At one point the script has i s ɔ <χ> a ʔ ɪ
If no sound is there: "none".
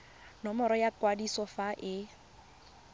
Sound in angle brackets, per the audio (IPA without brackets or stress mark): f